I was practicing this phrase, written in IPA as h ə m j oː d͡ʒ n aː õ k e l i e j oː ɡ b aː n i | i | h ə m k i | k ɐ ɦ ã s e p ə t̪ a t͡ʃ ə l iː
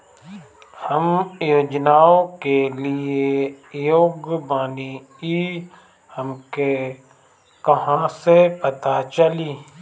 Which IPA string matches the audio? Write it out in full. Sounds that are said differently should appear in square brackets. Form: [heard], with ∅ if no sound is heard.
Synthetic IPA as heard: h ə m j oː d͡ʒ n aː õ k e l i e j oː ɡ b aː n i | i | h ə m k [e] | k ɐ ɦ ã s e p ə t̪ a t͡ʃ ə l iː